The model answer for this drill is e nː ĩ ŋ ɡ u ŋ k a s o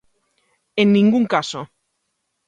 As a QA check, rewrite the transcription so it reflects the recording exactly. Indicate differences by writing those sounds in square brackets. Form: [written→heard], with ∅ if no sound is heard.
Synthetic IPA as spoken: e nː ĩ ŋ ɡ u ŋ k a s o